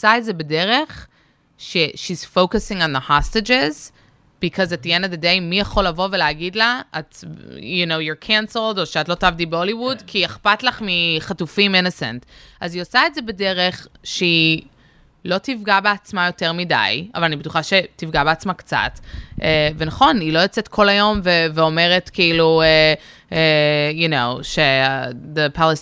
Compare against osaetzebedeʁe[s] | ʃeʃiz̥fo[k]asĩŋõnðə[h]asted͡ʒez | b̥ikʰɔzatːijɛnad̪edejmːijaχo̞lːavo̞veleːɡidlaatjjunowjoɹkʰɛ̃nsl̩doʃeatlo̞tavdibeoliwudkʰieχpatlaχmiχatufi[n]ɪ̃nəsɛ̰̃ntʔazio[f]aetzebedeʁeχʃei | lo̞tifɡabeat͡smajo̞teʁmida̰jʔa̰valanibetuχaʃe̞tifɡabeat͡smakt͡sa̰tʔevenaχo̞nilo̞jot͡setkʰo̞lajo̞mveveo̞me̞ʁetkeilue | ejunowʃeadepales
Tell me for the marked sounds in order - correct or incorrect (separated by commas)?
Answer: incorrect, correct, correct, incorrect, incorrect